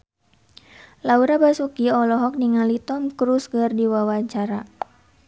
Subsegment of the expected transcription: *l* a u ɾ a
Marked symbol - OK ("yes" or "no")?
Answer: yes